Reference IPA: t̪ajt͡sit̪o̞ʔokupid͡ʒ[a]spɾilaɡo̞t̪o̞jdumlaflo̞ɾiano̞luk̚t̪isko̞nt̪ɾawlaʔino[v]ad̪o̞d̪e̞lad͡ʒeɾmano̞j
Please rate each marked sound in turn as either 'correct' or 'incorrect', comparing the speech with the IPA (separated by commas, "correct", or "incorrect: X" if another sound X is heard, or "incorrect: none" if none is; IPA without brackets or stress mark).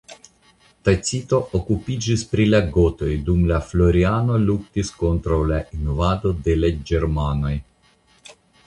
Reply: incorrect: i, correct